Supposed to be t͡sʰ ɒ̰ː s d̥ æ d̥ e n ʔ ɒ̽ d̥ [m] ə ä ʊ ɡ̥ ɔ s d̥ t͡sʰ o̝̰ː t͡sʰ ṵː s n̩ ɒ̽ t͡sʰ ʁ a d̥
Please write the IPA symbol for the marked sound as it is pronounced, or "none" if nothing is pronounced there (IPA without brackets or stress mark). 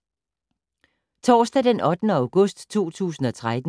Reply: n